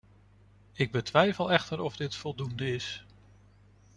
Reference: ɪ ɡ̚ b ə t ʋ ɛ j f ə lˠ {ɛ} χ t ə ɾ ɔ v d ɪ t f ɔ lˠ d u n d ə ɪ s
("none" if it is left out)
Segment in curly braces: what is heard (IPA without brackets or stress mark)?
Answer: ɛ